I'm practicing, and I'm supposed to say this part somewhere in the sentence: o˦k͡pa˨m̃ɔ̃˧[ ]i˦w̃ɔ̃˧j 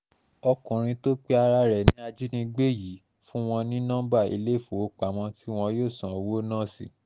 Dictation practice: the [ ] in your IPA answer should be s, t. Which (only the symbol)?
t